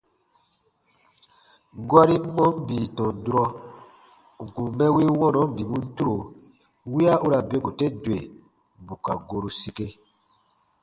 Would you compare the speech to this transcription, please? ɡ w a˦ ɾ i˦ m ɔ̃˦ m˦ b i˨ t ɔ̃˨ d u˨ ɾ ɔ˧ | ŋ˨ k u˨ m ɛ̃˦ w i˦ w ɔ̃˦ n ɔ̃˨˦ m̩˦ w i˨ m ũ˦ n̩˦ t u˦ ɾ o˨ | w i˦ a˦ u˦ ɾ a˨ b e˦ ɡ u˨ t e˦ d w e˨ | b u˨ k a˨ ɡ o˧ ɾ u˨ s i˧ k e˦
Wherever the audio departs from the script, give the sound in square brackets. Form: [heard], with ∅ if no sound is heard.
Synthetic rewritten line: ɡ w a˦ ɾ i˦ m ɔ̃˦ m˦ b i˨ t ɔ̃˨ d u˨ ɾ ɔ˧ | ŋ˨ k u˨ m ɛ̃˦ w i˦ w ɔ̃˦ n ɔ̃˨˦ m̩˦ [b] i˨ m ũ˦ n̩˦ t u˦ ɾ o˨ | w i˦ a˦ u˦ ɾ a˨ b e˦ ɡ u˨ t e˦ d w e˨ | b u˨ k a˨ ɡ o˧ ɾ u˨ s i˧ k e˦

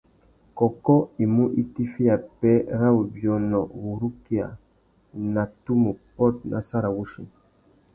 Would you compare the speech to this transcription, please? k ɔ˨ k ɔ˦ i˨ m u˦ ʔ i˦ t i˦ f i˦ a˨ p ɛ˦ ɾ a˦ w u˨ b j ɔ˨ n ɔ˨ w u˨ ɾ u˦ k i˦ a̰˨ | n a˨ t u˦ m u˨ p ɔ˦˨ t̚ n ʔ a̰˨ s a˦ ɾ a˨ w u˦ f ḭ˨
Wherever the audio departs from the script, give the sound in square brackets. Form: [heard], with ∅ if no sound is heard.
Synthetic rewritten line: k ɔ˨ k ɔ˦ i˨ m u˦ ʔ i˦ t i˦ f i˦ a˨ p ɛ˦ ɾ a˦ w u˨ b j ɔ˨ n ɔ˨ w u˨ ɾ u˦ k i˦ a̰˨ | n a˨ t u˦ m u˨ p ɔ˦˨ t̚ n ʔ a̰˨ s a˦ ɾ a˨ w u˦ [ʃ] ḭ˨

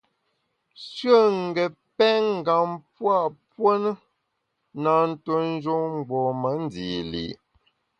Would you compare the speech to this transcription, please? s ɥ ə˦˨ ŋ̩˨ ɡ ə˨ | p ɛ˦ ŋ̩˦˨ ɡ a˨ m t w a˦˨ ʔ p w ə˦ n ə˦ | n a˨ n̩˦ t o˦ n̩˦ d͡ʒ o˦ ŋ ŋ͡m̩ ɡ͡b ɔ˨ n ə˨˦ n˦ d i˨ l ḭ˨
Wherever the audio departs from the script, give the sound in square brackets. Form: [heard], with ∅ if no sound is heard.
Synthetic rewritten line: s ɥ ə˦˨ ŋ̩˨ ɡ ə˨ | p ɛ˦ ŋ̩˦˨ ɡ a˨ m [p] w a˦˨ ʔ p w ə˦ n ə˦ | n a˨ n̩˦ t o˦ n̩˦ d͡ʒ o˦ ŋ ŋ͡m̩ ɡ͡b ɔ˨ [m] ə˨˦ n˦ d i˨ l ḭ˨

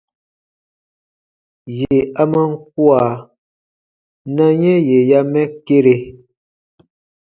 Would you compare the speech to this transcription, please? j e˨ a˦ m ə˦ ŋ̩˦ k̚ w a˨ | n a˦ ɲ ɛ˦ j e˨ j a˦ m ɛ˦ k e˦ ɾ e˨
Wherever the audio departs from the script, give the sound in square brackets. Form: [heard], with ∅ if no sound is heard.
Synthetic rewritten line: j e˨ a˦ m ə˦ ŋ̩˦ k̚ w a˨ | n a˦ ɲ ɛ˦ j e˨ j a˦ m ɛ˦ k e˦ ɾ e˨

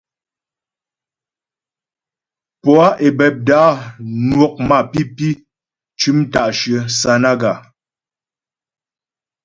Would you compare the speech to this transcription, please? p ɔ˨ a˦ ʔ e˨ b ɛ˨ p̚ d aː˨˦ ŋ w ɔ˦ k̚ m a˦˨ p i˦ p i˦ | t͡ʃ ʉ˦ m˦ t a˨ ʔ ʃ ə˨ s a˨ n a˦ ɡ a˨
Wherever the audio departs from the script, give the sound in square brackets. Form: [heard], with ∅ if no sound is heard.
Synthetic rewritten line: p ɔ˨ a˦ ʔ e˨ b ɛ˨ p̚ d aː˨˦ [n] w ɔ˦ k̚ m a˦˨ p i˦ p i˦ | t͡ʃ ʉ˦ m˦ t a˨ ʔ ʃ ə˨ s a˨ n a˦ ɡ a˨

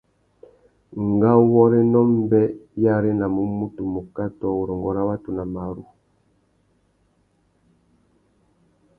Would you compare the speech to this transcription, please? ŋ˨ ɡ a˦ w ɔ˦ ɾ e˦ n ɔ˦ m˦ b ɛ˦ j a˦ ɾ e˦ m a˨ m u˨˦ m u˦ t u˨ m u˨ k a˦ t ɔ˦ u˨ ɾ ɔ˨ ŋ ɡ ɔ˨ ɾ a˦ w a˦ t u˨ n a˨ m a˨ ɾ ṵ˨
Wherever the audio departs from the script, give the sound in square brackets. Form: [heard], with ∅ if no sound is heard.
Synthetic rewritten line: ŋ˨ ɡ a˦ w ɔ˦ ɾ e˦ n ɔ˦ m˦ b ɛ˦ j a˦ ɾ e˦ [n] a˨ m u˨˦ m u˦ t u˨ m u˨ k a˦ t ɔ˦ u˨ ɾ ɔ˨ ŋ ɡ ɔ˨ ɾ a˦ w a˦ t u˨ n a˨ m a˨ ɾ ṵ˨

